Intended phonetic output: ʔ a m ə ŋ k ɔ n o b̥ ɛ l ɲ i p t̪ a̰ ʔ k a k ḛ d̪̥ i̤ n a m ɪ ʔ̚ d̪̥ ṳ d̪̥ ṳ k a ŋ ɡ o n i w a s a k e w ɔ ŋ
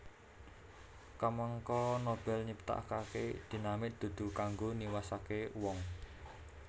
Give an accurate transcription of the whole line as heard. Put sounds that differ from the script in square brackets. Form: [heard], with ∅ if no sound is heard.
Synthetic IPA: [k] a m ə ŋ k ɔ n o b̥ ɛ l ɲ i p t̪ a̰ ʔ k a k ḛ d̪̥ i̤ n a m ɪ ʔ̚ d̪̥ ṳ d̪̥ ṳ k a ŋ ɡ o n i w a s a k e w ɔ ŋ